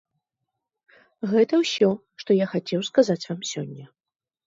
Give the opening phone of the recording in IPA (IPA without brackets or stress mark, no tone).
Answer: ɣ